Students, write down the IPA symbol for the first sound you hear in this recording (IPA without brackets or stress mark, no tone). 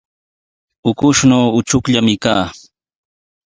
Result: ʊ